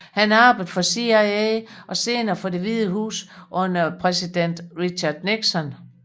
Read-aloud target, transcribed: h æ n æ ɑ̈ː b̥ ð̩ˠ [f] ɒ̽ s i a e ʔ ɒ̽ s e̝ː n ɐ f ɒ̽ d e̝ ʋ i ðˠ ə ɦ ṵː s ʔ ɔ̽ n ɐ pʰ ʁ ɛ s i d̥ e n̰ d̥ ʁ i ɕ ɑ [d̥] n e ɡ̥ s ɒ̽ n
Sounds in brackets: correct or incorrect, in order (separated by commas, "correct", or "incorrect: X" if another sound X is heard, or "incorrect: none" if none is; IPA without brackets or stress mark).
correct, correct